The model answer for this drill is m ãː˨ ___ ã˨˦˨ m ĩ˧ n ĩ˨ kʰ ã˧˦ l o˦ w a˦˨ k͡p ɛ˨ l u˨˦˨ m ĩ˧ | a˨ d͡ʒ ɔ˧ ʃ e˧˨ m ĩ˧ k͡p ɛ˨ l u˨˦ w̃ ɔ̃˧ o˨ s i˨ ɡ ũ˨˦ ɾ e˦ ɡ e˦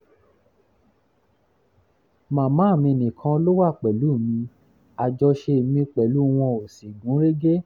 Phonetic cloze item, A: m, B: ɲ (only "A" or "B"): A